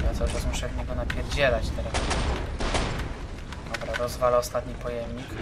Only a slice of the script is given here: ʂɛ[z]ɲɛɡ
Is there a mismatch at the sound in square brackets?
yes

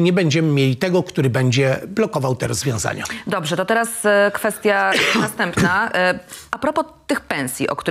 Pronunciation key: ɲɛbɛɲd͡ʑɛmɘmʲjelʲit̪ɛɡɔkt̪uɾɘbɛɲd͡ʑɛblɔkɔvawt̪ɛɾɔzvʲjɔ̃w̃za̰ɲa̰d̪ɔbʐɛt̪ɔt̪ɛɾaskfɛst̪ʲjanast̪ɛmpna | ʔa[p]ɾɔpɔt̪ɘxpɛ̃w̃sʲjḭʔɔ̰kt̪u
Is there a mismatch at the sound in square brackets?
no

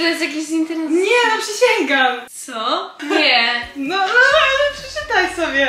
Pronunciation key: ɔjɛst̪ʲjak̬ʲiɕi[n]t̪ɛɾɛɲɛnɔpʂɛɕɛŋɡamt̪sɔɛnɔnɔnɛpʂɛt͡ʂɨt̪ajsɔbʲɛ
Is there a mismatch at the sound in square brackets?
no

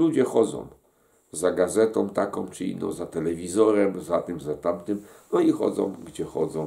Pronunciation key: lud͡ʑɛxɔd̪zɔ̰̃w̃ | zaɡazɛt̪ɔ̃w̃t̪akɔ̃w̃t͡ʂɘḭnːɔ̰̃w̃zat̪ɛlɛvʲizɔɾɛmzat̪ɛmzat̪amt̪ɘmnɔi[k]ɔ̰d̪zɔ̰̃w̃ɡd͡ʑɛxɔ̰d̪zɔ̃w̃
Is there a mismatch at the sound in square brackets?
yes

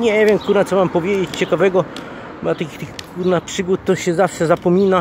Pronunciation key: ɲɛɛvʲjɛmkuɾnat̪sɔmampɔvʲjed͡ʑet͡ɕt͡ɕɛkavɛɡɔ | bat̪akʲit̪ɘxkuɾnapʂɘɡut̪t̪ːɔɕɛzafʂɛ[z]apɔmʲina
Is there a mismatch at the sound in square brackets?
no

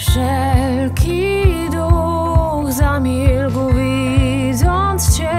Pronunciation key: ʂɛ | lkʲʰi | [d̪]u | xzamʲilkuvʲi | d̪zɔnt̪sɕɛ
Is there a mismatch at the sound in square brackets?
no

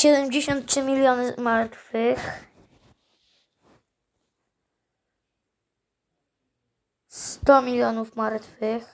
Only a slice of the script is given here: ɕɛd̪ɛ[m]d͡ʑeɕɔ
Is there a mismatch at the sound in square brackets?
no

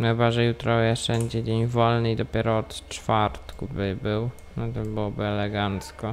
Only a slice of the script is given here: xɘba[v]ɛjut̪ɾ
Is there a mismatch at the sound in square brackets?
yes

